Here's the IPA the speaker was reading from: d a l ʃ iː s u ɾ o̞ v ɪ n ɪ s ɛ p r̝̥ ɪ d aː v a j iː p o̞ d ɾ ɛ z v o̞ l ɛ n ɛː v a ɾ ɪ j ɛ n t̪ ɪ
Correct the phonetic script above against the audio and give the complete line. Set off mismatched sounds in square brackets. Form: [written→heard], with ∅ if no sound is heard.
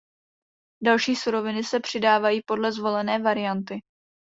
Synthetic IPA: d a l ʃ iː s u ɾ o̞ v ɪ n ɪ s ɛ p r̝̥ ɪ d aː v a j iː p o̞ d [ɾ→l] ɛ z v o̞ l ɛ n ɛː v a ɾ ɪ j [ɛ→a] n t̪ ɪ